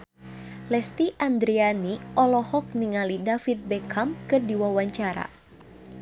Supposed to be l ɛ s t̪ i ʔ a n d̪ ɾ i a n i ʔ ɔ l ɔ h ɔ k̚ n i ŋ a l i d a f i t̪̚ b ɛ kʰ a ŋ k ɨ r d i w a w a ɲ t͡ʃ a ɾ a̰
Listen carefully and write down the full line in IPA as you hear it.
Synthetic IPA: l ɛ s t̪ i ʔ a n d̪ ɾ i a n i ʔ ɔ l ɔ h ɔ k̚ n i ŋ a l i d a f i t̪̚ b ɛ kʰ a m k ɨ r d i w a w a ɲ t͡ʃ a ɾ a̰